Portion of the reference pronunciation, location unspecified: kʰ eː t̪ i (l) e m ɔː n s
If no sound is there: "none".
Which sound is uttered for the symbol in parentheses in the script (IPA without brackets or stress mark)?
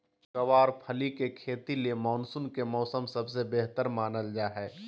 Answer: l